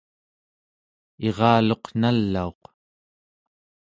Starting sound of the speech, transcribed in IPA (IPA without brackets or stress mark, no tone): e̞